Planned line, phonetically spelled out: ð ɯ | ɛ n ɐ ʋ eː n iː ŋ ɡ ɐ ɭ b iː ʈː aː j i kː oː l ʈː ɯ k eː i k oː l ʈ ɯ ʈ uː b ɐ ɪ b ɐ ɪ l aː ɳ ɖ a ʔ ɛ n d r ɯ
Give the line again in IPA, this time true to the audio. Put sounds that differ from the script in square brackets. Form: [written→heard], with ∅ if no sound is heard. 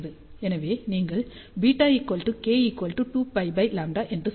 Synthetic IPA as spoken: ð ɯ | ɛ n ɐ ʋ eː n iː ŋ ɡ ɐ ɭ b iː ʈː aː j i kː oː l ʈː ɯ k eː i k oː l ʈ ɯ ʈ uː [b→p] ɐ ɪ b ɐ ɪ l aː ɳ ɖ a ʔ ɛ n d r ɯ